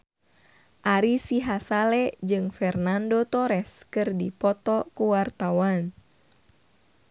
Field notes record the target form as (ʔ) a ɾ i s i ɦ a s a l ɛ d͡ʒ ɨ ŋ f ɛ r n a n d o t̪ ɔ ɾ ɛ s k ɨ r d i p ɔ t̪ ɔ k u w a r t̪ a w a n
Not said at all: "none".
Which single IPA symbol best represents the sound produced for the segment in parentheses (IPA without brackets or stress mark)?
ʔ